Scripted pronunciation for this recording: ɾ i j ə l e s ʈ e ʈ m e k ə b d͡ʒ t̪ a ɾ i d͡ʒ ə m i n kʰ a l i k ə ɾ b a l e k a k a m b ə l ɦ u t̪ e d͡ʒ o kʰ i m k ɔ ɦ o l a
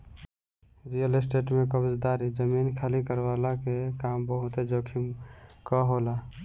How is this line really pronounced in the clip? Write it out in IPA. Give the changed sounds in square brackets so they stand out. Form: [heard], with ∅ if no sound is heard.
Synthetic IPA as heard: ɾ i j ə l e s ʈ e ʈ m e k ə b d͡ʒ [d̪] a ɾ i d͡ʒ ə m i n kʰ a l i k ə ɾ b a l [a] k [e] k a m b ə [∅] ɦ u t̪ e d͡ʒ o kʰ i m k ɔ ɦ o l a